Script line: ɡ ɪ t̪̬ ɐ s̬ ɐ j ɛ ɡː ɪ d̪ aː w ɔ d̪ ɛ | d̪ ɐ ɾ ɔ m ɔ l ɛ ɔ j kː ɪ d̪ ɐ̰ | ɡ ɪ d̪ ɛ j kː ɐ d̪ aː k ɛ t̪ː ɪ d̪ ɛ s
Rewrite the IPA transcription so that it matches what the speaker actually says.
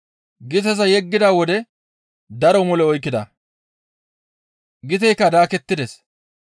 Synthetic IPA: ɡ ɪ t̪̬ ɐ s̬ ɐ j ɛ ɡː ɪ d̪ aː w ɔ d̪ ɛ | d̪ ɐ ɾ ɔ m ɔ l ɛ ɔ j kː ɪ d̪ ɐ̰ | ɡ ɪ t̪ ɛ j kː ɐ d̪ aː k ɛ t̪ː ɪ d̪ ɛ s